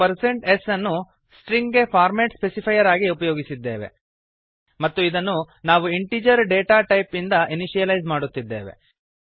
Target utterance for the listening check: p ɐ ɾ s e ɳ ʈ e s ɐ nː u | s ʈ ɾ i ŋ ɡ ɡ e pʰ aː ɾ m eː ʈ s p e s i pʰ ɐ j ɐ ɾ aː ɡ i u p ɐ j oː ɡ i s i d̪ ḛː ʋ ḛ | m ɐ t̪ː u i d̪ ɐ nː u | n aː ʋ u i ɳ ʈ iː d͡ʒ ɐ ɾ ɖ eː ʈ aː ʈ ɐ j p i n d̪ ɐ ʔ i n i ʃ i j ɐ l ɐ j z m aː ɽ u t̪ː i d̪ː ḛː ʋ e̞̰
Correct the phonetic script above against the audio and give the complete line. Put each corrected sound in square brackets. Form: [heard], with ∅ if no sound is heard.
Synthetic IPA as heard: p ɐ ɾ s e ɳ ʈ e s ɐ nː u | s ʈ ɾ i ŋ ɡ ɡ e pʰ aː ɾ m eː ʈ s p e s i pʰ ɐ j ɐ ɾ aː ɡ i u p ɐ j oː ɡ i s i [d̪ː] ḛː ʋ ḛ | m ɐ t̪ː u i d̪ ɐ nː u | n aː ʋ u i ɳ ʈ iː d͡ʒ ɐ ɾ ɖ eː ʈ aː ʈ ɐ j p i n d̪ ɐ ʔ i n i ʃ i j ɐ l ɐ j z m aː ɽ u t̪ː i d̪ː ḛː ʋ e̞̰